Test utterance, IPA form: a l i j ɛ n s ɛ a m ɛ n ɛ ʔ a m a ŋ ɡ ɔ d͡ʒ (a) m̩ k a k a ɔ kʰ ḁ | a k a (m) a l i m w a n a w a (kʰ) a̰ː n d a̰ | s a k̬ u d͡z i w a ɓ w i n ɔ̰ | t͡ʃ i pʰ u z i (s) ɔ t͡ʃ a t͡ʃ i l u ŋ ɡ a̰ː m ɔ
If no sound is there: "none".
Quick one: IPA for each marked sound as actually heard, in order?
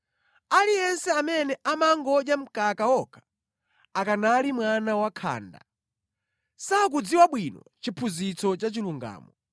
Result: a, n, kʰ, t͡s

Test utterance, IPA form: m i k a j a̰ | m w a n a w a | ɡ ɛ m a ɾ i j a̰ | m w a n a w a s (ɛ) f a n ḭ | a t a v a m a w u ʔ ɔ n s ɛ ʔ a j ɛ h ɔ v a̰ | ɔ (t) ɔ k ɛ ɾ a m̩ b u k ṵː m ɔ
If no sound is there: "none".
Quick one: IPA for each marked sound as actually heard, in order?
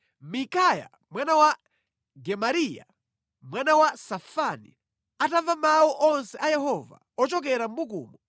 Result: a, t͡ʃ

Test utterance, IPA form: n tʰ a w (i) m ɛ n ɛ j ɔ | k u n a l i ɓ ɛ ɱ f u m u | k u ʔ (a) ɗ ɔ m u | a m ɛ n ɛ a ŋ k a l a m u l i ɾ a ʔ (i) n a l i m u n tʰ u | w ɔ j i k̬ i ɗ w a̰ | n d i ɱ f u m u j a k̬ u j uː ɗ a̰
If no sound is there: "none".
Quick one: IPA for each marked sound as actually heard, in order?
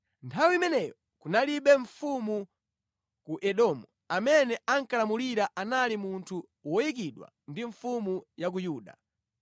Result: i, ɛ, a

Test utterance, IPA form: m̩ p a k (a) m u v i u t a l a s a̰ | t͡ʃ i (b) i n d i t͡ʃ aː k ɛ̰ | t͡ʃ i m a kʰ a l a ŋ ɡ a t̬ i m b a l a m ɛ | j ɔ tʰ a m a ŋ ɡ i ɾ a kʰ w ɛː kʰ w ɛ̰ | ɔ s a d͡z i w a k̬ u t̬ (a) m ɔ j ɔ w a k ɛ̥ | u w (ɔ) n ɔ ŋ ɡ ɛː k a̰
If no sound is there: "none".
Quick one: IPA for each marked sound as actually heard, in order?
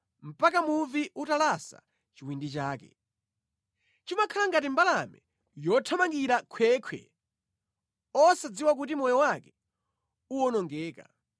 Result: a, w, i, ɔ

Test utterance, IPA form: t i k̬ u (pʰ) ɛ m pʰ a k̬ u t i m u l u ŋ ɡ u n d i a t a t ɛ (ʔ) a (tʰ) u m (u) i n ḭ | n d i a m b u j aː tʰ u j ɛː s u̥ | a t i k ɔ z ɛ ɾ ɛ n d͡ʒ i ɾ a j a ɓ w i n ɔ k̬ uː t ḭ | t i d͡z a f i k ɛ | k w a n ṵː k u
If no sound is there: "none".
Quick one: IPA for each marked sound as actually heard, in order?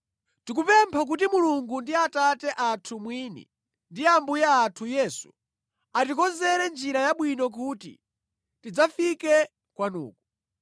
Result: p, ʔ, tʰ, w

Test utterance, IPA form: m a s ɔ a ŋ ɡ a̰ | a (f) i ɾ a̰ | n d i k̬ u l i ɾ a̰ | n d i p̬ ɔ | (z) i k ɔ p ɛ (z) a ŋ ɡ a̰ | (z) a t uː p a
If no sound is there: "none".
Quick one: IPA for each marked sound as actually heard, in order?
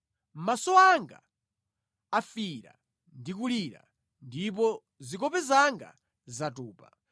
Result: f, z, z, z

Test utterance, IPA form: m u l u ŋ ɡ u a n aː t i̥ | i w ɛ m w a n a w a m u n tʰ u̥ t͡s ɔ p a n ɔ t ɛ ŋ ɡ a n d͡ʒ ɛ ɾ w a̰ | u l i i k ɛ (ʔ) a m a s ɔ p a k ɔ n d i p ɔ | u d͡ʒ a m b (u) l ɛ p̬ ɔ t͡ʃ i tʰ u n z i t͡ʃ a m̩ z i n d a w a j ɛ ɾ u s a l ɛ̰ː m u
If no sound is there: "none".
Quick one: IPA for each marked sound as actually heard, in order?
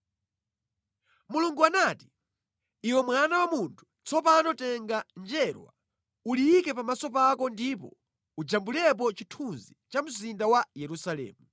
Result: p, u

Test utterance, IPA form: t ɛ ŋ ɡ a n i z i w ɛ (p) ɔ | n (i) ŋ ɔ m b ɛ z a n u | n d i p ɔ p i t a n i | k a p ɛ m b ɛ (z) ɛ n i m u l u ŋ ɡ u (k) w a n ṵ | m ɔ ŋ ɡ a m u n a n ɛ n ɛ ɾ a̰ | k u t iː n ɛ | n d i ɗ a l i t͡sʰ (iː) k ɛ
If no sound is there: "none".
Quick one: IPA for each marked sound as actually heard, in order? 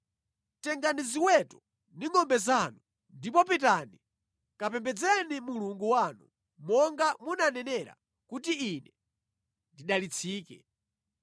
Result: t, i, d͡z, none, iː

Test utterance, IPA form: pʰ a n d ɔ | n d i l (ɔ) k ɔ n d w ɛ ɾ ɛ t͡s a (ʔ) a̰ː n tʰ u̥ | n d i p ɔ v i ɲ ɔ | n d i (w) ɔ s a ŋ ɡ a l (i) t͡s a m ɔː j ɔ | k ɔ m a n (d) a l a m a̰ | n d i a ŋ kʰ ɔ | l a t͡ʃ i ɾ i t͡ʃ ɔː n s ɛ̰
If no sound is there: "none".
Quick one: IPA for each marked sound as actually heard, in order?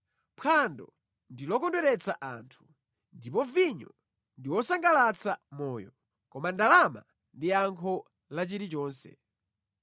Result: ɔ, ʔ, w, a, d

